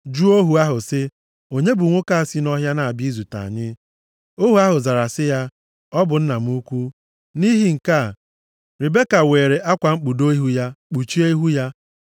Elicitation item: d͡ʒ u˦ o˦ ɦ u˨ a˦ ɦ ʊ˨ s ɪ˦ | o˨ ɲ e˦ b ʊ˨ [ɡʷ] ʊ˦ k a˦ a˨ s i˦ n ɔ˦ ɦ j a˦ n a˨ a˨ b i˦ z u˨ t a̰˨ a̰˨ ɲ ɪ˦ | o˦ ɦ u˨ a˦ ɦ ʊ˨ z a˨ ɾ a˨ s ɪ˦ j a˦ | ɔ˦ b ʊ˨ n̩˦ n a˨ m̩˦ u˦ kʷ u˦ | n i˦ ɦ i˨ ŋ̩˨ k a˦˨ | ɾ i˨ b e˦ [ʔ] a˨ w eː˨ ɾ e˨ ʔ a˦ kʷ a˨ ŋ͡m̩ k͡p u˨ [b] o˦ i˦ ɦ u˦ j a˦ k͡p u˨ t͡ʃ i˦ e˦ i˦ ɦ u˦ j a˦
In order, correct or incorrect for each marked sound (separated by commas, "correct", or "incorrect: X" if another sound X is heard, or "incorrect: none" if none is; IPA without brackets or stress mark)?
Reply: incorrect: ŋʷ, incorrect: k, incorrect: d